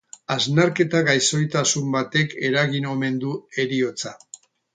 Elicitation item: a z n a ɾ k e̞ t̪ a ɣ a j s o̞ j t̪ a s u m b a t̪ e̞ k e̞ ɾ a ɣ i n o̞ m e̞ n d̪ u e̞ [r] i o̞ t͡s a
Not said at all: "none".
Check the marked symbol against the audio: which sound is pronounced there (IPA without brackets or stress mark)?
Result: ɾ